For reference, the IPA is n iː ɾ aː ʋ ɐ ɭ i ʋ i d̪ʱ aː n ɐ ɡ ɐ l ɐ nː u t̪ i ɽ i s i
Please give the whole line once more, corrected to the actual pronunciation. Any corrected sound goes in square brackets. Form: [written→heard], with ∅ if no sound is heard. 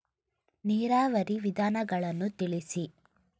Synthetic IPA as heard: n iː ɾ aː ʋ ɐ [ɭ→ɾ] i ʋ i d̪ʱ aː n ɐ ɡ ɐ [l→ɭ] ɐ nː u t̪ i [ɽ→ɭ] i s i

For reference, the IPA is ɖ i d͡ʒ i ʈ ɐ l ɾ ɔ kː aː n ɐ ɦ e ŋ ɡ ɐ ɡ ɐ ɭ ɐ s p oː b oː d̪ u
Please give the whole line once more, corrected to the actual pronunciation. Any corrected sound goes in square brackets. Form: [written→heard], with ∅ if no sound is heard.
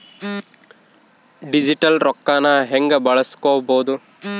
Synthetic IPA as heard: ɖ i d͡ʒ i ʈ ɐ l ɾ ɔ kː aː n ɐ ɦ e ŋ ɡ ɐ [ɡ→b] ɐ ɭ ɐ s [p→k] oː b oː d̪ u

